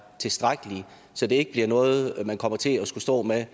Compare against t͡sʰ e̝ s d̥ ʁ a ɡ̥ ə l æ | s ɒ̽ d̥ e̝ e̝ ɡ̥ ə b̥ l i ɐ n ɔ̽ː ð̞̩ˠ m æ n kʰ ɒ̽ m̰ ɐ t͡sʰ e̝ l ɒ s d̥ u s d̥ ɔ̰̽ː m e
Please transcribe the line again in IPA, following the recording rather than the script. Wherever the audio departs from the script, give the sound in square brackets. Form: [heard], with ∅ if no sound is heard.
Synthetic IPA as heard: t͡sʰ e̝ s d̥ ʁ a ɡ̥ ə l [i] | s ɒ̽ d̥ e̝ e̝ ɡ̥ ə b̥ l i ɐ n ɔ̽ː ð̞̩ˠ m æ n kʰ ɒ̽ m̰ ɐ t͡sʰ e̝ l ɒ s [ɡ̥] u s d̥ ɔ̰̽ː m e

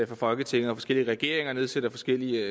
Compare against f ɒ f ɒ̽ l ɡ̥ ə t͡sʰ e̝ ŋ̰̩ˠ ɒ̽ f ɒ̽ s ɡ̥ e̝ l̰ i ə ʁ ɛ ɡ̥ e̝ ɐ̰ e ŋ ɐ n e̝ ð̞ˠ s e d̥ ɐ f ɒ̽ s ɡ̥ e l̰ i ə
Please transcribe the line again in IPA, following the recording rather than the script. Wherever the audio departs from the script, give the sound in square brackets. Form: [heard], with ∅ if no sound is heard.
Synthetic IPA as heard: f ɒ f ɒ̽ l ɡ̥ ə t͡sʰ e̝ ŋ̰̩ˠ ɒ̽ f ɒ̽ s ɡ̥ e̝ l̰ i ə ʁ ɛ ɡ̥ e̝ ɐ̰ e ŋ ɐ n e̝ ð̞ˠ s e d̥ ɐ f ɒ̽ s ɡ̥ e l̰ i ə

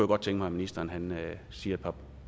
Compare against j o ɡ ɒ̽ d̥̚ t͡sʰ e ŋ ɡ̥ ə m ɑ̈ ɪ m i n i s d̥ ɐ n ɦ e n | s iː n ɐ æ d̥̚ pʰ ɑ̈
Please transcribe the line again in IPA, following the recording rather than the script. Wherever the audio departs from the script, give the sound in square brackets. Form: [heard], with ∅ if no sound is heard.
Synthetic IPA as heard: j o ɡ ɒ̽ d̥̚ t͡sʰ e ŋ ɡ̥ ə m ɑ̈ ɪ m i n i s d̥ ɐ n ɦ [æ] n | s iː [∅] ɐ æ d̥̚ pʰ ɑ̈

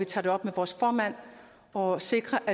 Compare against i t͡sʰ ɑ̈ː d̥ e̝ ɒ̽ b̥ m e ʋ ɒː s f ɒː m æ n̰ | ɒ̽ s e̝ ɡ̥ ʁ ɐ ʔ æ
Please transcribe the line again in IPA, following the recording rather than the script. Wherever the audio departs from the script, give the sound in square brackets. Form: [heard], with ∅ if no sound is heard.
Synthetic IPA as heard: i t͡sʰ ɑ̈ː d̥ e̝ ɒ̽ b̥ m e ʋ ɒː s f ɒː m æ n̰ | ɒ̽ s e̝ ɡ̥ ʁ ɐ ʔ æ

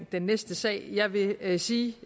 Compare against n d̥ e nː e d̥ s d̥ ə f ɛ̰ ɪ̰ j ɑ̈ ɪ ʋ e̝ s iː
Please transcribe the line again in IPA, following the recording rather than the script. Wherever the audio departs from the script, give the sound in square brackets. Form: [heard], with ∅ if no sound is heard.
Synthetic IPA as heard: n d̥ e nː e [∅] s d̥ ə [s] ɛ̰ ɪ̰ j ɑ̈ ɪ ʋ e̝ s iː

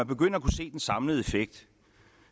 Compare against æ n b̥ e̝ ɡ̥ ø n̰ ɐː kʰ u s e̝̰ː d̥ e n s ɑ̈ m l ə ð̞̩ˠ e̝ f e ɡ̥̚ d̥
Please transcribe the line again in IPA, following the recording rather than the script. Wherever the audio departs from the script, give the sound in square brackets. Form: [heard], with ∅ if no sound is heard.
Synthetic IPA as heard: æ n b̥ e̝ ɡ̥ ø n̰ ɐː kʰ u s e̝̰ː d̥ e n s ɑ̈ m l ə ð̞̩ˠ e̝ f e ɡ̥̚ d̥

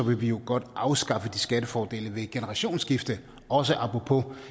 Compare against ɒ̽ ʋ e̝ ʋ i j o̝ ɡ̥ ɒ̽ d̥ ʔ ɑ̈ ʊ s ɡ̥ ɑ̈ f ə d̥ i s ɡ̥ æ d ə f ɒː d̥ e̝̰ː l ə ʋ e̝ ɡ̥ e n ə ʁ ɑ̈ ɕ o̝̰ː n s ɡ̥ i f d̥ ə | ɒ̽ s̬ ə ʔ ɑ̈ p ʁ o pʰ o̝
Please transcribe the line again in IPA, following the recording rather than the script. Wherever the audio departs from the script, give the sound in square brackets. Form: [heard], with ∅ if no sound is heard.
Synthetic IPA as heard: ɒ̽ ʋ e̝ ʋ i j o̝ ɡ̥ ɒ̽ d̥ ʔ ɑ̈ ʊ s ɡ̥ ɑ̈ f ə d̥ i s ɡ̥ æ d ə f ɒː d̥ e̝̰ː l ə ʋ e̝ ɡ̥ e n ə ʁ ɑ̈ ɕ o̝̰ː n s ɡ̥ i f d̥ ə | ɒ̽ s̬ ə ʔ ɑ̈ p ʁ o pʰ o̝

